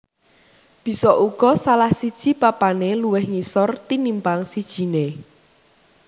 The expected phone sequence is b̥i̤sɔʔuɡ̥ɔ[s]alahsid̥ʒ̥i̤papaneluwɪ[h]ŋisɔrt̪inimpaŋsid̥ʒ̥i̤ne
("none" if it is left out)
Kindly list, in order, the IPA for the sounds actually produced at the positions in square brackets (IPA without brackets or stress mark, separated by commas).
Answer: s, h